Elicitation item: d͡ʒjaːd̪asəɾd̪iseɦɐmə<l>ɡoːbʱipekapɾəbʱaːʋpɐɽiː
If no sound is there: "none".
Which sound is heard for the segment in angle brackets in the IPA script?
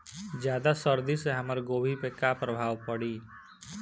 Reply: ɾ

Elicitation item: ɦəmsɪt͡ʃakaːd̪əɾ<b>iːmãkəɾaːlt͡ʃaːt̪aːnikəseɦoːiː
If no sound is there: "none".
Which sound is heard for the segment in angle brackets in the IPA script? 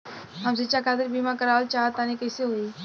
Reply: b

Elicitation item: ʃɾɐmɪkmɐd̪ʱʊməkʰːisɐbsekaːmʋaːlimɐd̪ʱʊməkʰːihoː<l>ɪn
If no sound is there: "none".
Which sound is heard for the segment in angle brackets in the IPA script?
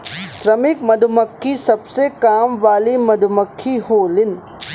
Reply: l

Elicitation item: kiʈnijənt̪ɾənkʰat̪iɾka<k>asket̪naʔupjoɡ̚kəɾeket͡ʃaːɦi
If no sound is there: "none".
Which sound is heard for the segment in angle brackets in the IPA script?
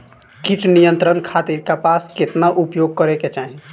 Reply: p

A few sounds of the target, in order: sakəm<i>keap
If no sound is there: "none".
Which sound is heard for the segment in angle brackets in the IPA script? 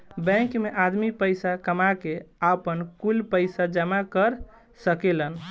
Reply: a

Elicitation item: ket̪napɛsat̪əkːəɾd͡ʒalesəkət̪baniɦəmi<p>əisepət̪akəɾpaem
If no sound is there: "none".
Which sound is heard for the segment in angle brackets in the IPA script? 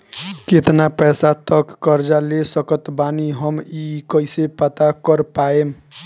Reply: k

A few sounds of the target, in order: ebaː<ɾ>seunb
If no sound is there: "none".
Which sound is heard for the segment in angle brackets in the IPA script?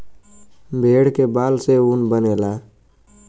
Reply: l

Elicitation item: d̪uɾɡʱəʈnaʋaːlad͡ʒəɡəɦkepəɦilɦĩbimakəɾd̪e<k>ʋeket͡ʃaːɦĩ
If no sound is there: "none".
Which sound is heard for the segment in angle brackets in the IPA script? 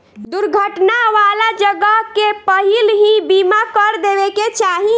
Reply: none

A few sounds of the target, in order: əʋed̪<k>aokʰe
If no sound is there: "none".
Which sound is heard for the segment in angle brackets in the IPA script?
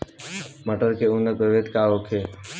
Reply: k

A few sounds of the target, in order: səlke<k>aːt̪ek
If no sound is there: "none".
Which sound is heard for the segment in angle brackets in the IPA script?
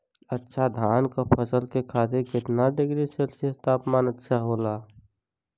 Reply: kʰ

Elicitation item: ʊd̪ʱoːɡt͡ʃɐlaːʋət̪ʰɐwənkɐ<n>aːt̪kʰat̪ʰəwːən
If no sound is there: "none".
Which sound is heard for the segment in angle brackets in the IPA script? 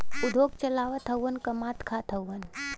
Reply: m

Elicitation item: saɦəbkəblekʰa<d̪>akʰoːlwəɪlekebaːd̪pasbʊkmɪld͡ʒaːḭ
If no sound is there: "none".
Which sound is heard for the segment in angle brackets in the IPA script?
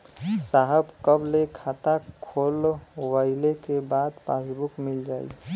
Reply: t̪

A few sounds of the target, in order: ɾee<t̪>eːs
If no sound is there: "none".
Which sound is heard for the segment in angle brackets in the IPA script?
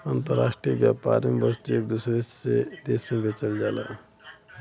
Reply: d̪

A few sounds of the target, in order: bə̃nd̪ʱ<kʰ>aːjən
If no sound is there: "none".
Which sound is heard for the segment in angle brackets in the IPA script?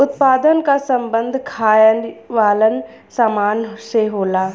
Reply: kʰ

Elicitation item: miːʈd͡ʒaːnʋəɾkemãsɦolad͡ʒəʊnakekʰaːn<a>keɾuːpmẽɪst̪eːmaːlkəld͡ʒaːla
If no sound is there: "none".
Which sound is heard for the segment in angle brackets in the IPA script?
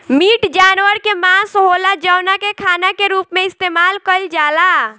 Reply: a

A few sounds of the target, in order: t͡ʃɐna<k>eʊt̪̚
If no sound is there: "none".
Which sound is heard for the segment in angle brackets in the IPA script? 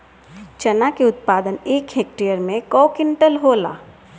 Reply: k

